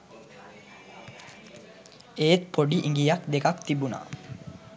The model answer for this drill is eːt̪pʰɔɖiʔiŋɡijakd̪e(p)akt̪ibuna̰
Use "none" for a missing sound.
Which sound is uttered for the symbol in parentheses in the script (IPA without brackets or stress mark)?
k